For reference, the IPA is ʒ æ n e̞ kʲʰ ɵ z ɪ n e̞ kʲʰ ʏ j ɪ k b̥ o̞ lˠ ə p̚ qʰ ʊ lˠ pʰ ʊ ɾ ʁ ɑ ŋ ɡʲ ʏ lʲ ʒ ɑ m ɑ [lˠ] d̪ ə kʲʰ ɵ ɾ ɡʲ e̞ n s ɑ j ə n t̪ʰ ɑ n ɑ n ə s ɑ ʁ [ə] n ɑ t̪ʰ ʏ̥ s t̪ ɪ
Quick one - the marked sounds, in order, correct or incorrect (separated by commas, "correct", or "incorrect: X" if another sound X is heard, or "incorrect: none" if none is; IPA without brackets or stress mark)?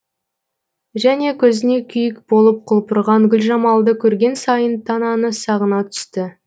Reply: correct, correct